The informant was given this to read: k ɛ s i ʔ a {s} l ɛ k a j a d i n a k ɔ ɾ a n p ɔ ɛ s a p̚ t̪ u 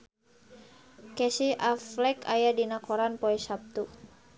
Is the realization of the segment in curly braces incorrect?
yes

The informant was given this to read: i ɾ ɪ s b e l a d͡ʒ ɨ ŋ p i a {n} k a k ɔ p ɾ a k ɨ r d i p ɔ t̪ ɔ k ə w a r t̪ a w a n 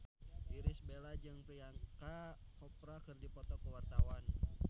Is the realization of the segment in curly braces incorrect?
yes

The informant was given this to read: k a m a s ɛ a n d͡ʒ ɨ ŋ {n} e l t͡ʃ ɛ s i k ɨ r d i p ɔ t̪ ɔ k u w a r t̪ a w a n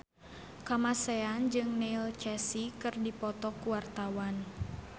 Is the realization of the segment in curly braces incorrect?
no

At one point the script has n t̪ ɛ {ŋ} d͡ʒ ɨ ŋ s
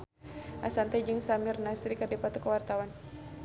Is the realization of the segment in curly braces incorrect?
yes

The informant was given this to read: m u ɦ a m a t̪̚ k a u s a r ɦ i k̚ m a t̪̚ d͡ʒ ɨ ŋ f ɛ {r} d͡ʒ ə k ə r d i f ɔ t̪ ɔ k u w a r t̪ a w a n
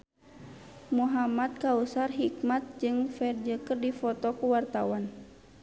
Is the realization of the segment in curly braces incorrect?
no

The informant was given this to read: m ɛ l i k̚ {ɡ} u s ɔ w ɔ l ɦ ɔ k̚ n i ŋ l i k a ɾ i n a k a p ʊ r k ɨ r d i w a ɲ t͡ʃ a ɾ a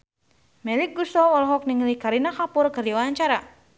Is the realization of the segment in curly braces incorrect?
no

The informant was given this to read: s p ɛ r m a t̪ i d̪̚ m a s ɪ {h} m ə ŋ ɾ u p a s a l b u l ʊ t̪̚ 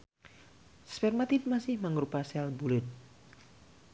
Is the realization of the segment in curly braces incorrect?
no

